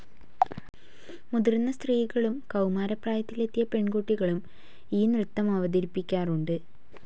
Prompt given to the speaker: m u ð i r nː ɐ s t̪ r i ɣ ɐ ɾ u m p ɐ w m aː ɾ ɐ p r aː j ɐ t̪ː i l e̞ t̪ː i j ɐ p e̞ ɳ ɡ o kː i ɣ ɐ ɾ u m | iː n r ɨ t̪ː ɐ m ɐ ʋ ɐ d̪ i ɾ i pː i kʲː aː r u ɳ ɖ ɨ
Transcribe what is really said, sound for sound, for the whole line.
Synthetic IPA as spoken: m u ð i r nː ɐ s t̪ r iː ɣ ɐ ɭ u m k ɐ w m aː ɾ ɐ p r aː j ɐ t̪ː i l e̞ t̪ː i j ɐ p e̞ ɳ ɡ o ʈː i ɣ ɐ ɭ u m | iː n r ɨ t̪ː ɐ m ɐ ʋ ɐ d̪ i ɾ i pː i kʲː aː r u ɳ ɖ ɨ